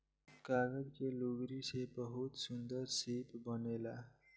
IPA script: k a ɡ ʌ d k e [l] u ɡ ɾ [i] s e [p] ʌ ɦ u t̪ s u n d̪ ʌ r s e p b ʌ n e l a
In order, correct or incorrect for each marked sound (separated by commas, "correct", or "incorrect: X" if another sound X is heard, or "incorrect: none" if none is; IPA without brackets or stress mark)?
correct, correct, incorrect: b